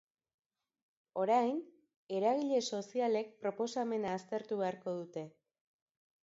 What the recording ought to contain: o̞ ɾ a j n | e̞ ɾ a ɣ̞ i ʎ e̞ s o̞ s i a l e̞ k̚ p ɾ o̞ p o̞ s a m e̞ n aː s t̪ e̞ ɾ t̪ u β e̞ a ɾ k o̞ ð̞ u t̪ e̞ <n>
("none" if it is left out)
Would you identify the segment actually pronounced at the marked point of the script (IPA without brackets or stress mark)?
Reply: none